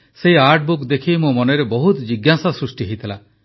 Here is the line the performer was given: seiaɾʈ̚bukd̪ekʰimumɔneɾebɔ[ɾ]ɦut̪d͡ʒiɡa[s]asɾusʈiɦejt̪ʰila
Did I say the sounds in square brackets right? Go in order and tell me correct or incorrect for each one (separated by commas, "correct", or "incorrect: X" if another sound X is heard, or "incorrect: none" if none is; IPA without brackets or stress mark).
incorrect: none, correct